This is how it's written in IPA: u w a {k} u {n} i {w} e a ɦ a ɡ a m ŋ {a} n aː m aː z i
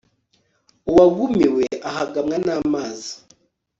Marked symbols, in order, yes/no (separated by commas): no, no, yes, yes